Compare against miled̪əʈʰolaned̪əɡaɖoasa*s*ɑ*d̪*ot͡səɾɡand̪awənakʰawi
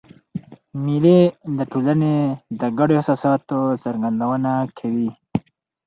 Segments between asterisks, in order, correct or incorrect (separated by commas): correct, incorrect